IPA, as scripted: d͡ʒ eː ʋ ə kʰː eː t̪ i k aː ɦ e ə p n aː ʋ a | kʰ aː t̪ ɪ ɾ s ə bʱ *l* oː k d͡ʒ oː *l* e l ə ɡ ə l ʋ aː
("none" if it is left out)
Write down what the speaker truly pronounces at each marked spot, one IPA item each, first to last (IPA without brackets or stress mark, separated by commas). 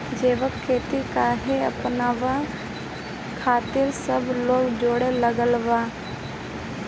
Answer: l, ɽ